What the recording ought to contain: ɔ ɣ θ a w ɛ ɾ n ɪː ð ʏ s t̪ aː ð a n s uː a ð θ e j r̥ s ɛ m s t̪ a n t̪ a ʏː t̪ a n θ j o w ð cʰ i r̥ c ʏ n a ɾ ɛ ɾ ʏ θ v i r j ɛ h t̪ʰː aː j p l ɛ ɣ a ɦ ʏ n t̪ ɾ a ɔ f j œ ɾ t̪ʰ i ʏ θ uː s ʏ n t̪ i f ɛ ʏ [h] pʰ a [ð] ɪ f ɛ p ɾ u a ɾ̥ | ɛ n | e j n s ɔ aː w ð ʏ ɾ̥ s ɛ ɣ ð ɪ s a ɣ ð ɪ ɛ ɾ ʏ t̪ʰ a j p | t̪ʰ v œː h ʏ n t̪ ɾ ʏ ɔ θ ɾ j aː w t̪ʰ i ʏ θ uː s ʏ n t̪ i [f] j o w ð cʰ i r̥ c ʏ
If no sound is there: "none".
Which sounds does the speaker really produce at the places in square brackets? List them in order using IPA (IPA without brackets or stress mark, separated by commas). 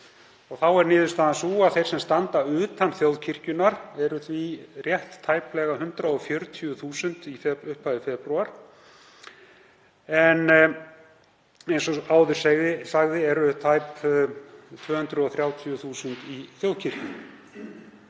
h, ð, θ